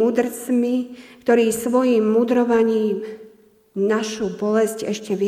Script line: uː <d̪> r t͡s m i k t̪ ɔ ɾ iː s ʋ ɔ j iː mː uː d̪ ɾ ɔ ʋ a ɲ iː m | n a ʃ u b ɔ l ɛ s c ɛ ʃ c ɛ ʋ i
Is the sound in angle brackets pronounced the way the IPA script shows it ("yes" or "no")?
yes